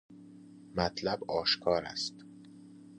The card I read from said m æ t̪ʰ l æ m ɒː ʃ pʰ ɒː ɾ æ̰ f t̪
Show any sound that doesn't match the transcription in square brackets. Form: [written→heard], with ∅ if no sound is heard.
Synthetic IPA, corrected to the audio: m æ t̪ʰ l æ [m→b] ɒː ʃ [pʰ→kʰ] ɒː ɾ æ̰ [f→s] t̪